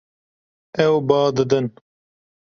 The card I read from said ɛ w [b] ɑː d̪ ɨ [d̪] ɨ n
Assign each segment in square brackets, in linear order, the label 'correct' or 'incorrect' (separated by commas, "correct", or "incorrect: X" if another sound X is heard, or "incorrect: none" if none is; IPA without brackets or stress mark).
correct, correct